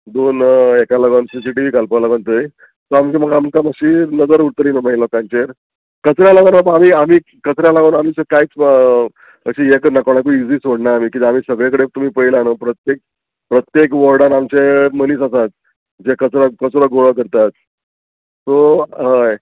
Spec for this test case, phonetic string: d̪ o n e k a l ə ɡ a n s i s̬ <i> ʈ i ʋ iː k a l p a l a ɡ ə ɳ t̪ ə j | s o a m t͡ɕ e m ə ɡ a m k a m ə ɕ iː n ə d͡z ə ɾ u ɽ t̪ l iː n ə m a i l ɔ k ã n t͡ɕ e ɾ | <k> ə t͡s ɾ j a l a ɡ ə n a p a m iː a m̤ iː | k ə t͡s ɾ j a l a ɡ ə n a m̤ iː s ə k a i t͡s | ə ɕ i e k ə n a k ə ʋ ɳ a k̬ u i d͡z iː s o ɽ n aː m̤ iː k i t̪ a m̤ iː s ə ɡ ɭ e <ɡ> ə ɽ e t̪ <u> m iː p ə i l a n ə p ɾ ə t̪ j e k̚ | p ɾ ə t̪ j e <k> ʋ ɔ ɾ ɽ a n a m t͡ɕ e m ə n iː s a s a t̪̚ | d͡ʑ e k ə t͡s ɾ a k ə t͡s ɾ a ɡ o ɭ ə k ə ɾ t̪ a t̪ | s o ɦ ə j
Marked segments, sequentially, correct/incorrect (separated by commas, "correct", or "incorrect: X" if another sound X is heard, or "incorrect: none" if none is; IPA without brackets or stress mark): correct, correct, incorrect: k, correct, correct